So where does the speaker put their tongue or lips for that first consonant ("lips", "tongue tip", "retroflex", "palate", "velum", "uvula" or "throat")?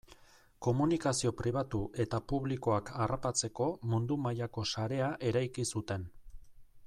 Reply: velum